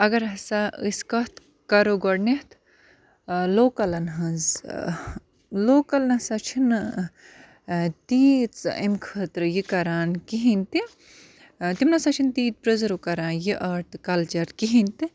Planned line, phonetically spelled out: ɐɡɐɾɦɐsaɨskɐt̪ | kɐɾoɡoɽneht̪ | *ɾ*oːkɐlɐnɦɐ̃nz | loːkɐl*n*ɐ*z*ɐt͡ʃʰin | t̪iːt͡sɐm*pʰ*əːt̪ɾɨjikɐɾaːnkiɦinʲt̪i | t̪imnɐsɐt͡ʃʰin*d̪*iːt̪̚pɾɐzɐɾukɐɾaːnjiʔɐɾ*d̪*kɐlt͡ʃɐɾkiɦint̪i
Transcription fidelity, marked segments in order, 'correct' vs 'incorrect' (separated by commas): incorrect, correct, incorrect, incorrect, incorrect, incorrect